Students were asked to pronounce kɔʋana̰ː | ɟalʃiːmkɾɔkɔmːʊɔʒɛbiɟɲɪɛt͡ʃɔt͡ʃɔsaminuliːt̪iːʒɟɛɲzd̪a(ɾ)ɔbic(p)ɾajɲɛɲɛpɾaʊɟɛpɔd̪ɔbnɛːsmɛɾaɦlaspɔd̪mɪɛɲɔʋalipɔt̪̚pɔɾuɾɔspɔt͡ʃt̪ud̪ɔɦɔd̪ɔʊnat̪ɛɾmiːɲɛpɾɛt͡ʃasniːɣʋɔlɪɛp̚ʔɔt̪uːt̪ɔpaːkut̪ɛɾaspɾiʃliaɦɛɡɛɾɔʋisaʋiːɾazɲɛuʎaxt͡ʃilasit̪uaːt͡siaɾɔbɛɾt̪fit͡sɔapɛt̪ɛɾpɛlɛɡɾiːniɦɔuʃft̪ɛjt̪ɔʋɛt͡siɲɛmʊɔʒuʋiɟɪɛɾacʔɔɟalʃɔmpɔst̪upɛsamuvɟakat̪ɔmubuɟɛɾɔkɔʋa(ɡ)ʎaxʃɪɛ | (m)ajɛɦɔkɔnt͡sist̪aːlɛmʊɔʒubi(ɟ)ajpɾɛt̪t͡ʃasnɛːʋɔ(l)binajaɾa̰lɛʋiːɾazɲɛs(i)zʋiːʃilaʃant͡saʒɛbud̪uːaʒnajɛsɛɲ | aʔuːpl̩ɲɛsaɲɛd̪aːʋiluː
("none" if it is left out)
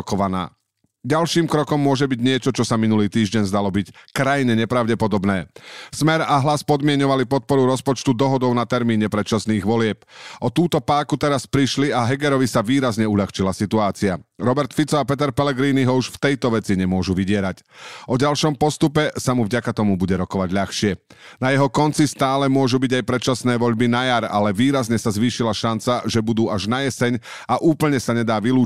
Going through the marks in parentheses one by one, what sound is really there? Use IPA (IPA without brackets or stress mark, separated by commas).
l, k, ɟ, n, ɟ, ʎ, a